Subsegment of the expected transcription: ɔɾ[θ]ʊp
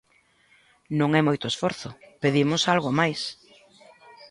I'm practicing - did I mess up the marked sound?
no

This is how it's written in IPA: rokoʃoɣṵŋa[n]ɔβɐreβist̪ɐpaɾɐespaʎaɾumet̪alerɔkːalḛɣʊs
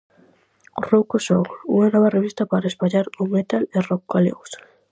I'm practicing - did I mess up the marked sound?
no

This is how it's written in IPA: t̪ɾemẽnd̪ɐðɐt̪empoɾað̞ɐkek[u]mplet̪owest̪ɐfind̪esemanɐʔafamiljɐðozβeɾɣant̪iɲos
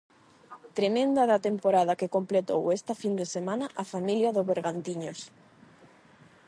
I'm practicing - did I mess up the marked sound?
yes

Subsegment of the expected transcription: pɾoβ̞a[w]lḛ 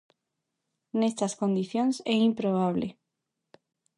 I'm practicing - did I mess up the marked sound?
yes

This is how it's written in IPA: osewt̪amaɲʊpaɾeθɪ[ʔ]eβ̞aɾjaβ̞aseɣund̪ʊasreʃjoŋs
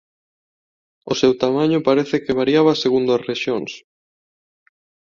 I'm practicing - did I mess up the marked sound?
yes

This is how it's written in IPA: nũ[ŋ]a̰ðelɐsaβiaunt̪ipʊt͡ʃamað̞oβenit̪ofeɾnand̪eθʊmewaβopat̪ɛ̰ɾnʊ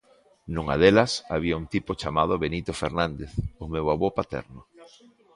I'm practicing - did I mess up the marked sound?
no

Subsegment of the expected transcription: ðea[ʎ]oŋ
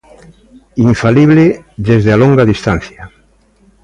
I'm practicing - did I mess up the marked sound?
yes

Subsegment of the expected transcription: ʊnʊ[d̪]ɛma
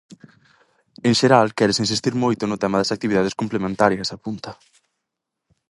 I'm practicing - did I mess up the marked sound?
yes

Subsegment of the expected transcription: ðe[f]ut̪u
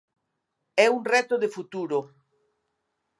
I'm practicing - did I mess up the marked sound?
no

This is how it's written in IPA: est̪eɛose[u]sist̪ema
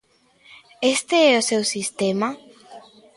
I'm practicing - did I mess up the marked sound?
yes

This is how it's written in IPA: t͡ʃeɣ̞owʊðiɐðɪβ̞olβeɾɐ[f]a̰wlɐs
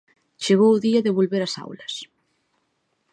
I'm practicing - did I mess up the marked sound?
yes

